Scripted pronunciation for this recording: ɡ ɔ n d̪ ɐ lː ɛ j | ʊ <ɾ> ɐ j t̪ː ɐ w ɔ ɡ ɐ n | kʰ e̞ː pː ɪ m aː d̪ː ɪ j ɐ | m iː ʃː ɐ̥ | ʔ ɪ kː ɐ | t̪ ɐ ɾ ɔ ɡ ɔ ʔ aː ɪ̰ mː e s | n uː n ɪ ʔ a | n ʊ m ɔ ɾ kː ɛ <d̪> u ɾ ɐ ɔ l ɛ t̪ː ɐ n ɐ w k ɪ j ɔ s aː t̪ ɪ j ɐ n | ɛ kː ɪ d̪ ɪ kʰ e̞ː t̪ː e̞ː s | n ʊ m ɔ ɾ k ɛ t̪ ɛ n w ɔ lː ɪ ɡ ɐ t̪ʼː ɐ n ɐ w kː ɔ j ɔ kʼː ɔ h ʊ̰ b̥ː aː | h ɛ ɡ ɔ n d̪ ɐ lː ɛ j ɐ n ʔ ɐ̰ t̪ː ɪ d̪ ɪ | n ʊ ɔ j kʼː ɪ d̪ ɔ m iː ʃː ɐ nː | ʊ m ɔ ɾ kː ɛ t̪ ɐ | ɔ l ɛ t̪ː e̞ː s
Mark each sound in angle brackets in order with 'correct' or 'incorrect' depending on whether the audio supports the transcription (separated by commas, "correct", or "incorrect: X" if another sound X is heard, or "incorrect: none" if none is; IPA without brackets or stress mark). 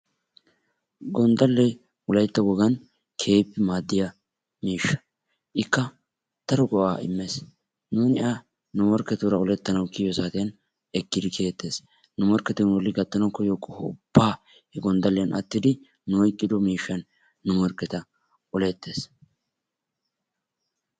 incorrect: l, incorrect: t̪